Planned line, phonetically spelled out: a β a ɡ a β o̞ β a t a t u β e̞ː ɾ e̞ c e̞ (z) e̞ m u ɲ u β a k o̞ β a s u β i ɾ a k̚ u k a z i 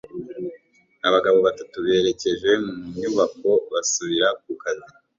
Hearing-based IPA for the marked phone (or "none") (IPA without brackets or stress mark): ʒ